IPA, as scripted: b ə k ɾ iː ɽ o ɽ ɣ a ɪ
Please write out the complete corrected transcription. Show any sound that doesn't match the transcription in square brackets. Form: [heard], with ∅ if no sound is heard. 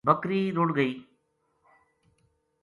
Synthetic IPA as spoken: b [ɐ] k ɾ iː [ɾ] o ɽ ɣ [ɐ] ɪ